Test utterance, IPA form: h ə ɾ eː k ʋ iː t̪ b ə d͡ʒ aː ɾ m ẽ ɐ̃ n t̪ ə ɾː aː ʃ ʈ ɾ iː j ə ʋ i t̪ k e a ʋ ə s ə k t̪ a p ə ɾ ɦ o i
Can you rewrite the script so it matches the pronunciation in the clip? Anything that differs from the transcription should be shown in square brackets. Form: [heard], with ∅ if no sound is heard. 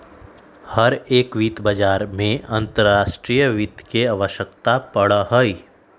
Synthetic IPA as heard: h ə ɾ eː k ʋ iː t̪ b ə d͡ʒ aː ɾ m ẽ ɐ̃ n t̪ ə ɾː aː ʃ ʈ ɾ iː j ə ʋ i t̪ k e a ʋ ə [ʃ] ə k t̪ a p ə [ɽ] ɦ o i